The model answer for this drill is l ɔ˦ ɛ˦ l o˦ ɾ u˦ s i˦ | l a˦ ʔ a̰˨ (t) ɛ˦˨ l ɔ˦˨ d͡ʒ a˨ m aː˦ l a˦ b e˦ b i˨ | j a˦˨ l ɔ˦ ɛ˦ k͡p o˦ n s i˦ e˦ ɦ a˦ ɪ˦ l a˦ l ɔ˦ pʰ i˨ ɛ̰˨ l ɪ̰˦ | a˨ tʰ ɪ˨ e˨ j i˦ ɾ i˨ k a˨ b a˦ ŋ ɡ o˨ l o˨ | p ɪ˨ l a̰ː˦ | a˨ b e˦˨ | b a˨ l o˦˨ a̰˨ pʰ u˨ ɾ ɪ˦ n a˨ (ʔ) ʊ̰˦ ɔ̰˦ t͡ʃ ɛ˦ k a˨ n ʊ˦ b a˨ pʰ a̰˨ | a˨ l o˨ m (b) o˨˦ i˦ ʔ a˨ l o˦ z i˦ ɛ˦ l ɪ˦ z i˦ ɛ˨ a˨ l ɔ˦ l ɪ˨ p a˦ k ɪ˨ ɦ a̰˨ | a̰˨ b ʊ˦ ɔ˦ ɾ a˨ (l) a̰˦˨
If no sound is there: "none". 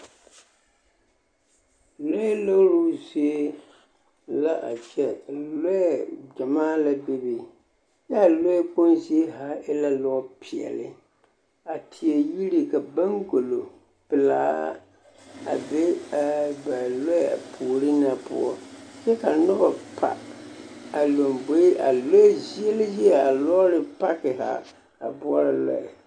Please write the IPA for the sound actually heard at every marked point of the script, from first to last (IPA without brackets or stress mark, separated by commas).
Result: t͡ʃ, p, b, l